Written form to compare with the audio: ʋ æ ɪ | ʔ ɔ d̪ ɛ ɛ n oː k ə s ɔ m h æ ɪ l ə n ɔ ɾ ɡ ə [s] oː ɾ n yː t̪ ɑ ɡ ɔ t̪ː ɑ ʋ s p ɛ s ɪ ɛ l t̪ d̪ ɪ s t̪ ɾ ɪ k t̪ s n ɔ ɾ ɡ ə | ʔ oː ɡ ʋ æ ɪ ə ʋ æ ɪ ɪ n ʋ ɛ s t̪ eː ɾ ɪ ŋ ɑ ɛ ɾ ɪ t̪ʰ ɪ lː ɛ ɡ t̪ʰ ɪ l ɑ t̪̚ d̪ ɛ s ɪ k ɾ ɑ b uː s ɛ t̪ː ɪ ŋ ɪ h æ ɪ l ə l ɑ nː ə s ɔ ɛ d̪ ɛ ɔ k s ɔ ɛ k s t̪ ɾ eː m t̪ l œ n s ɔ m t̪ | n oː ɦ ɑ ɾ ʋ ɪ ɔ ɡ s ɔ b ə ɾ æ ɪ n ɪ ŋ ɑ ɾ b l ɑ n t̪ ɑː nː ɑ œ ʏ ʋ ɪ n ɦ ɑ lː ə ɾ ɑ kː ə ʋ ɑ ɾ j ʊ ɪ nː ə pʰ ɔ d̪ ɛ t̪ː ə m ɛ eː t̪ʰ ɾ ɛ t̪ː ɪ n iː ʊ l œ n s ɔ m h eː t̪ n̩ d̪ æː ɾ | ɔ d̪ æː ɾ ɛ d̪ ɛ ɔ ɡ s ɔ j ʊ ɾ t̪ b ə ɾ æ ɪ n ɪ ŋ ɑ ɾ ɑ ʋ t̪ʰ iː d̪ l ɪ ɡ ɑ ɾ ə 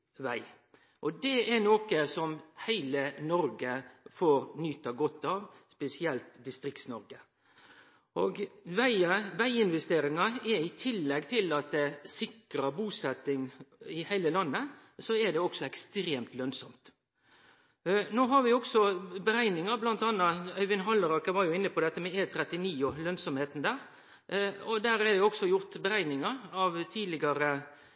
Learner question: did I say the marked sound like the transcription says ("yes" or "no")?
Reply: no